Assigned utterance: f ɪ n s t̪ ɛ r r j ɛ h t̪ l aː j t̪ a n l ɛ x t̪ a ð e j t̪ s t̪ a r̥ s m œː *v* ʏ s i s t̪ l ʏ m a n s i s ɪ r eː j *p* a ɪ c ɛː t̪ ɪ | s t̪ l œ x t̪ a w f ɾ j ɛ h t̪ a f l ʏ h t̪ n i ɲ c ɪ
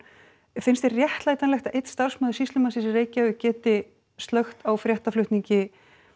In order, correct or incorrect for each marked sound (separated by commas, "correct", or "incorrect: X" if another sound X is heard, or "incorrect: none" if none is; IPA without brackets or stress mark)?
incorrect: ð, incorrect: c